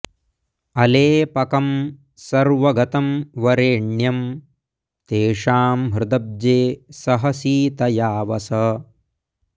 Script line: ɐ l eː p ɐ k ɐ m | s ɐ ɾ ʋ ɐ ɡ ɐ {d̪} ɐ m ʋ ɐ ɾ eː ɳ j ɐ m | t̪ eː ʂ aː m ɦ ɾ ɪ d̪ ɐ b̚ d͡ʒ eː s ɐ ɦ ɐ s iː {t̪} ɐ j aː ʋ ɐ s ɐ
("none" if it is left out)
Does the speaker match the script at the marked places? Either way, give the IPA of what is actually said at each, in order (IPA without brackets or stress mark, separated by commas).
t̪, t̪